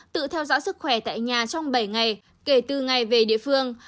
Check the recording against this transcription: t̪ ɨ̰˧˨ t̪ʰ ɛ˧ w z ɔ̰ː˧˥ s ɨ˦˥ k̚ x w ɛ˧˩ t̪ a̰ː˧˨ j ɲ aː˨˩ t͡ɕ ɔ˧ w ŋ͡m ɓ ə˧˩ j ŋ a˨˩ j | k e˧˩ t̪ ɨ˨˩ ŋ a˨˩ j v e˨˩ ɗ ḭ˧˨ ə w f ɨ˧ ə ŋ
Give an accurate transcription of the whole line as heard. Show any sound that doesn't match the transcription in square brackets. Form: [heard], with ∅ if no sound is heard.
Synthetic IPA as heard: t̪ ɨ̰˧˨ t̪ʰ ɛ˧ w z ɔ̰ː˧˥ s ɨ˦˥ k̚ x w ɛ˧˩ t̪ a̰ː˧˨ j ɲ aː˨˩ t͡ɕ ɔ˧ w ŋ͡m ɓ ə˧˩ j ŋ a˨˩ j | k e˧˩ t̪ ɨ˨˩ ŋ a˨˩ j v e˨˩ ɗ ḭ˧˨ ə [∅] f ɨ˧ ə ŋ